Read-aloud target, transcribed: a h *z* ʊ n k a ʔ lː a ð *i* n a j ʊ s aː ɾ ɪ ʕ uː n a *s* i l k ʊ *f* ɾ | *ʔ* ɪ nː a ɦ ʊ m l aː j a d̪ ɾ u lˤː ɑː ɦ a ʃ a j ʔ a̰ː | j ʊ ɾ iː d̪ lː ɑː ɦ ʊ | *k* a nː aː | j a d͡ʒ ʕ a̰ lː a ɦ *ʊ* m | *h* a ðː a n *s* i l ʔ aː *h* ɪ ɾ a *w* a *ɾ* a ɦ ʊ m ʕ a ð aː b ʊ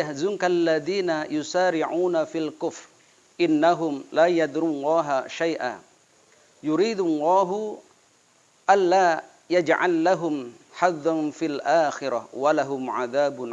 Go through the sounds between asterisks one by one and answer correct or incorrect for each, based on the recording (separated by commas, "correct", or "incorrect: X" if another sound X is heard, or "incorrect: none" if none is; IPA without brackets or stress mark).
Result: correct, incorrect: iː, incorrect: f, correct, correct, incorrect: ʔ, correct, incorrect: ħ, incorrect: f, incorrect: x, correct, incorrect: l